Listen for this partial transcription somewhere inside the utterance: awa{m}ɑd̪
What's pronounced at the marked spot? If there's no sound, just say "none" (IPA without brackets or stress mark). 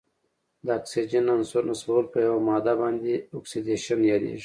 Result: m